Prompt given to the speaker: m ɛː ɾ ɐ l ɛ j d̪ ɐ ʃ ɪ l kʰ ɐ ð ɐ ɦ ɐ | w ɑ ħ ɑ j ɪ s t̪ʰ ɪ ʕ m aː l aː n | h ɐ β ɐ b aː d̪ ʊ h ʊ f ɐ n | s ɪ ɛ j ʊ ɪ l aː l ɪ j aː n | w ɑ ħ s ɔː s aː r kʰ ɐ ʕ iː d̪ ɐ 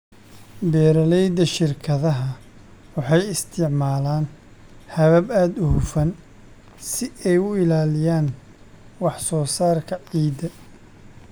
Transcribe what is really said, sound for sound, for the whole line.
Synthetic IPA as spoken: b ɛː ɾ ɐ l ɛ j d̪ ɐ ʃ ɪ r kʰ ɐ ð ɐ ɦ ɐ | w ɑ ħ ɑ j ɪ s t̪ʰ ɪ ʕ m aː l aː n | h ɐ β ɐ b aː d̪ ʊ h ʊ f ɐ n | s ɪ ɛ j ʊ ɪ l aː l ɪ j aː n | w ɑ ħ s ɔː s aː r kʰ ɐ ʕ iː d̪ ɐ